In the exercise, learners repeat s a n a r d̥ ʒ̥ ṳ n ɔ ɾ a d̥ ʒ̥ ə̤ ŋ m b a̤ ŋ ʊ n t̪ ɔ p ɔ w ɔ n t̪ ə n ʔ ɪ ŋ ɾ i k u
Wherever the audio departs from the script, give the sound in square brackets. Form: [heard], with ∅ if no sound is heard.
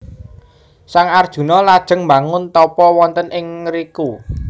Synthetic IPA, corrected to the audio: s a [ŋ] a r d̥ ʒ̥ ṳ n ɔ [l] a d̥ ʒ̥ ə̤ ŋ m b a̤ ŋ ʊ n t̪ ɔ p ɔ w ɔ n t̪ ə n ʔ ɪ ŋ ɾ i k u